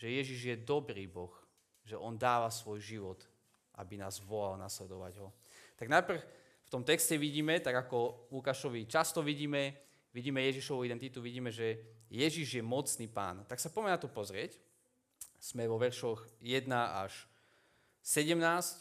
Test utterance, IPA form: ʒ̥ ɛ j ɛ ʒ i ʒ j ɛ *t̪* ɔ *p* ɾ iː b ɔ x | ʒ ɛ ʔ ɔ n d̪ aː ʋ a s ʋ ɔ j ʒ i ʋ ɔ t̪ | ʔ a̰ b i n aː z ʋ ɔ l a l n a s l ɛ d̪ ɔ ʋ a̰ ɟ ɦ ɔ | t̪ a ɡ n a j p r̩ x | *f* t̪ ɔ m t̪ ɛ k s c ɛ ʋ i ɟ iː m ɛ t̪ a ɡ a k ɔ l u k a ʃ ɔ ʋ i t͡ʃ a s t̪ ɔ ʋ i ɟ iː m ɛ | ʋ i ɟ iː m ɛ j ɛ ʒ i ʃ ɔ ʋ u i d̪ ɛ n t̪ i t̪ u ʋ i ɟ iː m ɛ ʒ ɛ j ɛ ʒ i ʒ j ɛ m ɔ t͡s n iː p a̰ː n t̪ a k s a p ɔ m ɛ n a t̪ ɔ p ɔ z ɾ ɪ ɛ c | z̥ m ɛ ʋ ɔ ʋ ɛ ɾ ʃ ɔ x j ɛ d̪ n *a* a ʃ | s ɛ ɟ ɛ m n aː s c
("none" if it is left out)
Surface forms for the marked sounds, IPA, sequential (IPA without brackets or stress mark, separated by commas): d̪, b, f, a